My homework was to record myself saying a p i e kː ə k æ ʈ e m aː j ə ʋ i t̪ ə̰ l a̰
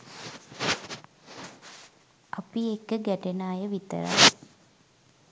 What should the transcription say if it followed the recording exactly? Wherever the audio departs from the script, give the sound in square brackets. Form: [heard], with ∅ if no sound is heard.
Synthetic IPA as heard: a p i e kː ə [ɡ] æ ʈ e [n] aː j ə ʋ i t̪ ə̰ [ɾ] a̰